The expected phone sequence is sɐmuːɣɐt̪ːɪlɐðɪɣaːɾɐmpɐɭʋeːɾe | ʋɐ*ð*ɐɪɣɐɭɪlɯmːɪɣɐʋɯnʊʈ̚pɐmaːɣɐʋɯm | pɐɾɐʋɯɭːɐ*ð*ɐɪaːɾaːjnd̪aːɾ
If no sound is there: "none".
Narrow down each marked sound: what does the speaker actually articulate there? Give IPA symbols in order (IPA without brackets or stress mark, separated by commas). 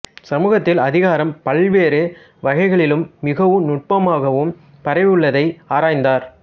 ɣ, ð